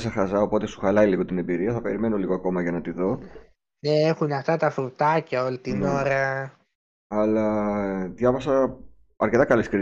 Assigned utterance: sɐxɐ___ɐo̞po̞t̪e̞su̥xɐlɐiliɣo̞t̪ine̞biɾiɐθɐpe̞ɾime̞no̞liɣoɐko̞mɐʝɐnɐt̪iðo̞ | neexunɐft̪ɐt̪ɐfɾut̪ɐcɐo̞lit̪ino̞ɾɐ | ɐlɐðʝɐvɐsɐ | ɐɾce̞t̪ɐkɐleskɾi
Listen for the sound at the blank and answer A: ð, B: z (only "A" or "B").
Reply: B